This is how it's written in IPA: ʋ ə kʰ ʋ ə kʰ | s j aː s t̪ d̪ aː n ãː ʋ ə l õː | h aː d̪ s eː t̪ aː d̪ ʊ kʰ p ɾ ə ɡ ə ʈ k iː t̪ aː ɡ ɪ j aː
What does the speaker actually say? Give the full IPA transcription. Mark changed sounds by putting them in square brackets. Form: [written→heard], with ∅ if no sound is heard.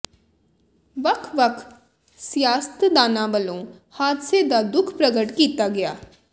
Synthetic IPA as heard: ʋ ə kʰ ʋ ə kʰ | s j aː s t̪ d̪ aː n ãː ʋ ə l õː | h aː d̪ s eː [t̪→d̪] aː d̪ ʊ kʰ p ɾ ə ɡ ə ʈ k iː t̪ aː ɡ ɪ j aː